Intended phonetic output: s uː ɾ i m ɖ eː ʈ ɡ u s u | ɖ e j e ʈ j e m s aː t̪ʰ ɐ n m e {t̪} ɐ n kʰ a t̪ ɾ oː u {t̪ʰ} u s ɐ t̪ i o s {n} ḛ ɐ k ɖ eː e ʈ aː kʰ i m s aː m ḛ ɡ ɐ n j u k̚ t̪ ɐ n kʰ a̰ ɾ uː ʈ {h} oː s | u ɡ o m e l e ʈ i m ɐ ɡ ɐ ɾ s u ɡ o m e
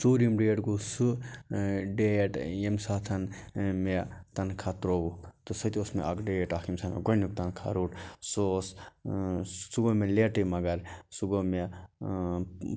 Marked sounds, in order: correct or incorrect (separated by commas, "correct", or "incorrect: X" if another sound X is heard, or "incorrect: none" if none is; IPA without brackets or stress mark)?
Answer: correct, incorrect: t̪, incorrect: m, incorrect: s